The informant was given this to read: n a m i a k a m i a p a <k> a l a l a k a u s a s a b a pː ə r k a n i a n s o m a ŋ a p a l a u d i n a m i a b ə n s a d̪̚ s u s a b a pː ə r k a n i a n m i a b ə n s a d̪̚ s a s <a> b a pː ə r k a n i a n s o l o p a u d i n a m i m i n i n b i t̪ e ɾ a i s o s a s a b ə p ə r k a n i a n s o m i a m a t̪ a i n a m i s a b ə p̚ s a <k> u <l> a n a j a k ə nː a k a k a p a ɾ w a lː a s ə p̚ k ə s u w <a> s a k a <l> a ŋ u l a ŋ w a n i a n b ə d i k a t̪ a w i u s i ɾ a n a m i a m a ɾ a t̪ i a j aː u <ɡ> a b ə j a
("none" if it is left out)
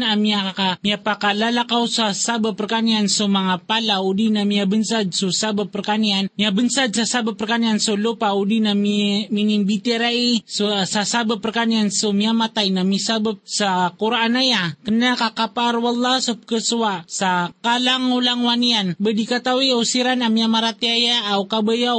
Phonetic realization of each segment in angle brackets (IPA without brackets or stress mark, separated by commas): k, a, k, ɾ, a, l, k